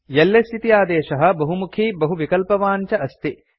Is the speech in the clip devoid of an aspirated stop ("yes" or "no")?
no